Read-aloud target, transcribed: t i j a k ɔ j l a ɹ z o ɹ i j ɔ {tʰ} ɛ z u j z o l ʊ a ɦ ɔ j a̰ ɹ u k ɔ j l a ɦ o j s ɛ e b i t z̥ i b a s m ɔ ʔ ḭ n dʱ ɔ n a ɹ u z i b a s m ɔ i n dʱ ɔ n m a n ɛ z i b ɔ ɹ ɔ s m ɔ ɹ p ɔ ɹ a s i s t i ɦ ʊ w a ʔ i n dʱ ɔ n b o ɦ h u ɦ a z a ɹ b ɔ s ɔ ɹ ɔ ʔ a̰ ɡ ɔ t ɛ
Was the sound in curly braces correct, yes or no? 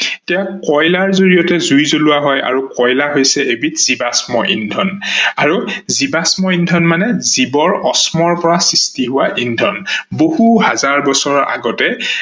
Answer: no